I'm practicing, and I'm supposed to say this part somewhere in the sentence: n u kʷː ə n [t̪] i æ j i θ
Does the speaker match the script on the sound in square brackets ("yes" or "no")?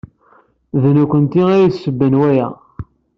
yes